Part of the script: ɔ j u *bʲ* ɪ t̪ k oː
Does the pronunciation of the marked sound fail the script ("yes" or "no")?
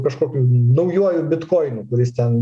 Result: no